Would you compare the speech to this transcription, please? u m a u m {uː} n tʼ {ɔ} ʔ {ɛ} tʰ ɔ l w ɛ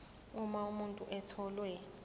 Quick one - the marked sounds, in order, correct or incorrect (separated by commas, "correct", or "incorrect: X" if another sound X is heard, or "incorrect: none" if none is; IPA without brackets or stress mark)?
incorrect: u, incorrect: u, correct